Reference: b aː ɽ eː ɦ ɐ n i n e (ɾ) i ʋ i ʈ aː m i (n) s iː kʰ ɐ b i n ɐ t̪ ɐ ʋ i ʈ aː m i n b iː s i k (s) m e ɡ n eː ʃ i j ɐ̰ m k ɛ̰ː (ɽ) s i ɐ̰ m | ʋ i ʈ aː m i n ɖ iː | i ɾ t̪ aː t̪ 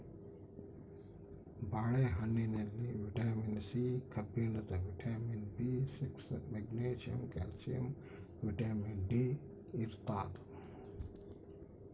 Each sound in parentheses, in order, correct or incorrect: incorrect, correct, correct, incorrect

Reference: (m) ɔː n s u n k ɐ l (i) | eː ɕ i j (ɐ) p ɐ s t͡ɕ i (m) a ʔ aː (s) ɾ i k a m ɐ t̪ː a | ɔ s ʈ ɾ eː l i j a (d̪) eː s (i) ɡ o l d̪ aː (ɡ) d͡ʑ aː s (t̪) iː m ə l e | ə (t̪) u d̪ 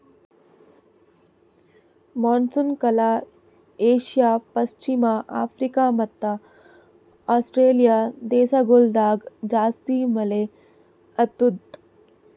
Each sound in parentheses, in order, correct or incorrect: correct, incorrect, incorrect, correct, incorrect, correct, incorrect, correct, correct, correct

